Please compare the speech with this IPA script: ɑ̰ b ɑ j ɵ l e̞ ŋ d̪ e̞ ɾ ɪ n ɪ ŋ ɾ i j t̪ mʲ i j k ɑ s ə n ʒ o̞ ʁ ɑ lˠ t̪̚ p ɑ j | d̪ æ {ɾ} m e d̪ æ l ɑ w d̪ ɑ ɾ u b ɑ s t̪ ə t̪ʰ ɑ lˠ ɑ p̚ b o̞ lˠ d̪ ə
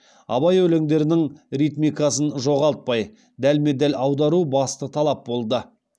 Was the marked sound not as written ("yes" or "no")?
yes